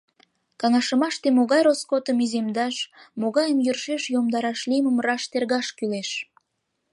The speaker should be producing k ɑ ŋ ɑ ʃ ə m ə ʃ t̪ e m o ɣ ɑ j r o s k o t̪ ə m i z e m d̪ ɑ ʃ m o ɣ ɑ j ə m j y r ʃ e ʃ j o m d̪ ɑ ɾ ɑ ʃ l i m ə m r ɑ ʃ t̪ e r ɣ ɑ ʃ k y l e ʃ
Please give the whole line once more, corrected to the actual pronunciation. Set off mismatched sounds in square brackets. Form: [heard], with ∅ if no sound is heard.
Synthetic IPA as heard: k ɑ ŋ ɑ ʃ ə m [ɑ] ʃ t̪ e m o ɣ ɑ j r o s k o t̪ ə m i z e m d̪ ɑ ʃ m o ɣ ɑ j ə m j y r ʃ e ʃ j o m d̪ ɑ ɾ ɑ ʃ l i m ə m r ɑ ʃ t̪ e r ɣ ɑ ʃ k y l e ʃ